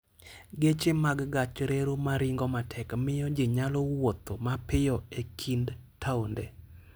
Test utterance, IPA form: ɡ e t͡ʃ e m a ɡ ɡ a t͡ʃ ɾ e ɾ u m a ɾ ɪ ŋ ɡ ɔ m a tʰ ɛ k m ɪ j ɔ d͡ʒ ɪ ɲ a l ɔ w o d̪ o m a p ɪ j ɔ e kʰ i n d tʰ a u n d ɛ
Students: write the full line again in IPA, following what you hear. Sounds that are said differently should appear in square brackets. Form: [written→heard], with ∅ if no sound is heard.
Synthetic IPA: ɡ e t͡ʃ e m a ɡ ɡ a t͡ʃ ɾ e ɾ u m a ɾ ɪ ŋ ɡ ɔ m a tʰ ɛ k m ɪ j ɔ d͡ʒ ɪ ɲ a l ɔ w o [d̪→t̪] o m a p ɪ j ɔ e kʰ i n d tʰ a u n d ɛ